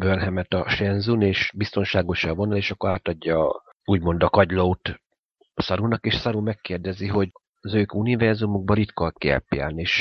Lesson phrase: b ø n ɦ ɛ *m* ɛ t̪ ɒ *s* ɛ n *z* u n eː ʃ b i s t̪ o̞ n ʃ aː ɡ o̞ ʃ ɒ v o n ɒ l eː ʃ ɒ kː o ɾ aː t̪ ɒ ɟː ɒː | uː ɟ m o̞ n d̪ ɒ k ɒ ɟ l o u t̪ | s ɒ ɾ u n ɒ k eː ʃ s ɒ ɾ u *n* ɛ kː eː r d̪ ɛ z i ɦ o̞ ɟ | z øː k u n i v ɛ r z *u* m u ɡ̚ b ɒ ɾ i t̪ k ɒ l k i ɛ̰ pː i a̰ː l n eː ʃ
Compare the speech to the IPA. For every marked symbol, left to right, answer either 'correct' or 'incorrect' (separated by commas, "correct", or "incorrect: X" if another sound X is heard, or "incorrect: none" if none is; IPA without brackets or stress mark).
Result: correct, incorrect: ʃ, correct, incorrect: m, correct